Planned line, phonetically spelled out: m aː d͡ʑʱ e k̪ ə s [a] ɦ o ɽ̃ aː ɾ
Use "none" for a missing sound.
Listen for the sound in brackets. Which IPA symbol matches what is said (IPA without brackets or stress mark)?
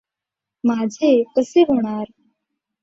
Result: e